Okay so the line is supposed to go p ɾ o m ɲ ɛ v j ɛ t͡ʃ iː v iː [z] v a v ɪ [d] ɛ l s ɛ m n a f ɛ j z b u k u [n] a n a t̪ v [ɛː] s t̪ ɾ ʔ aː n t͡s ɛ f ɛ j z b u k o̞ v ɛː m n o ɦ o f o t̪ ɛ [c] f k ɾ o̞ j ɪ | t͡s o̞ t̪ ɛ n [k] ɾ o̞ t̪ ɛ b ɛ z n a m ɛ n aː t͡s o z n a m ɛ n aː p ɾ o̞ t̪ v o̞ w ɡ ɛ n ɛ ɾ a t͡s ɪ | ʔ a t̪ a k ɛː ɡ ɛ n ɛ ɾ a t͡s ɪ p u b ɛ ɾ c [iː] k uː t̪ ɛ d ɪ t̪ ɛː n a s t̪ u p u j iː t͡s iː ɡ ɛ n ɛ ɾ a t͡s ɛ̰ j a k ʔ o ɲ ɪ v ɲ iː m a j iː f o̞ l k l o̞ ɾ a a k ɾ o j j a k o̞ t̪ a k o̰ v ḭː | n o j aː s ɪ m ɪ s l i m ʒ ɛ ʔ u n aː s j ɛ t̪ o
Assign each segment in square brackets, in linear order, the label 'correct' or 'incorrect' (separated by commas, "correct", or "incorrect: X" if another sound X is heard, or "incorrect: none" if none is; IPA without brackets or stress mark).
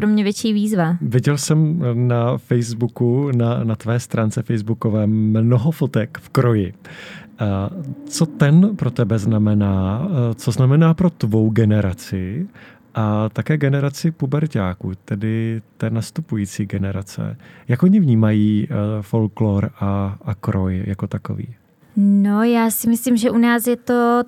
correct, incorrect: ɟ, correct, correct, incorrect: k, incorrect: p, incorrect: aː